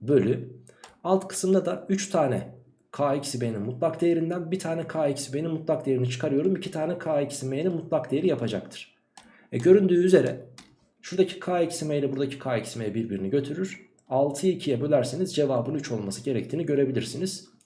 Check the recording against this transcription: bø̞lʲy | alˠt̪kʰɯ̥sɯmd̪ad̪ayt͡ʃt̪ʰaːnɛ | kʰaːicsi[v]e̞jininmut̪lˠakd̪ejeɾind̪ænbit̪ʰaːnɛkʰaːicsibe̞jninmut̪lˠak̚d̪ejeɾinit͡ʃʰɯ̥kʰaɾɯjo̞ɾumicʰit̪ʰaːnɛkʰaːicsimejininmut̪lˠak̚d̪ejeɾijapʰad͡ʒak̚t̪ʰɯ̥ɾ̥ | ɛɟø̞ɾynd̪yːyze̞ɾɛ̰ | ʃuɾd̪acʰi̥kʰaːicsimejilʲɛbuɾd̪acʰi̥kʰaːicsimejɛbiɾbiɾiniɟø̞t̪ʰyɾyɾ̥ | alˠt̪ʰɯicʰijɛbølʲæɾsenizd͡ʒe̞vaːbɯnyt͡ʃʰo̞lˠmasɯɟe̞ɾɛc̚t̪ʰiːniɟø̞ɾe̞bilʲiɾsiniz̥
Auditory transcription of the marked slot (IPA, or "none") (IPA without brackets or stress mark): b